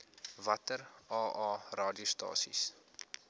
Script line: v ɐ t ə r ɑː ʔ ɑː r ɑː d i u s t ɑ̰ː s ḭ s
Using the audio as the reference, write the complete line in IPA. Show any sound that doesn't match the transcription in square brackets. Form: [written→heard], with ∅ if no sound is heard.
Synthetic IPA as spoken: v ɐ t ə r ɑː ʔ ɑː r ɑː d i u s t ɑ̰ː s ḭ s